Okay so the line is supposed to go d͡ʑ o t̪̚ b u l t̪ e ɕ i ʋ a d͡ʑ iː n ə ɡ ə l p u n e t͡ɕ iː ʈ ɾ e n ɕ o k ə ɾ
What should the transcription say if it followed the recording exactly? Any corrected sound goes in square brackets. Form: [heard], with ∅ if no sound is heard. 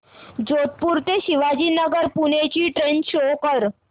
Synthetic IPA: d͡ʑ o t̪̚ [p] u [ɾ] t̪ e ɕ i ʋ a d͡ʑ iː n ə ɡ ə [ɾ] p u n e t͡ɕ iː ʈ ɾ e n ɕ o k ə ɾ